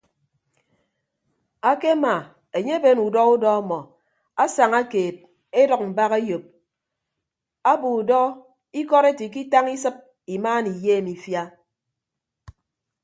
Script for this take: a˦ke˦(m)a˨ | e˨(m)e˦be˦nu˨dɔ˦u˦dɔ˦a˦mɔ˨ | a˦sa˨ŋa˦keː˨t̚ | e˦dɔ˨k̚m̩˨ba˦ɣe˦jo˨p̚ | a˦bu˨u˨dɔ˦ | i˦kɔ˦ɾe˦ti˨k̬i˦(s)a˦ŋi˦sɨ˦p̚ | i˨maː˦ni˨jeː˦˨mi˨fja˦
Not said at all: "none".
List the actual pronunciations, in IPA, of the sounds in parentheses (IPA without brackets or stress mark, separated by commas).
m, ɲ, t